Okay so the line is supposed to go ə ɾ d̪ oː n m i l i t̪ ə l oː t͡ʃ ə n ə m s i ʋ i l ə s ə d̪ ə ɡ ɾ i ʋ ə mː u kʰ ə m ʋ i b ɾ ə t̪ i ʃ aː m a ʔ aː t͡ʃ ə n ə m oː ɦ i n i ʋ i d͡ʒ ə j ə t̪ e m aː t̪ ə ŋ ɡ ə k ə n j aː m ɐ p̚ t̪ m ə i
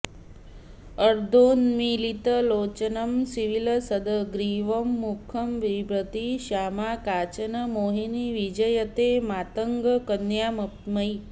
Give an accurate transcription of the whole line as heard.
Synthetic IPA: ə ɾ d̪ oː n m i l i t̪ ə l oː t͡ʃ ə n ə m s i ʋ i l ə s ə d̪ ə ɡ ɾ i ʋ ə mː u kʰ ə m ʋ i b ɾ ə t̪ i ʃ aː m a k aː t͡ʃ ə n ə m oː ɦ i n i ʋ i d͡ʒ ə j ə t̪ e m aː t̪ ə ŋ ɡ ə k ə n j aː m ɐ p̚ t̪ m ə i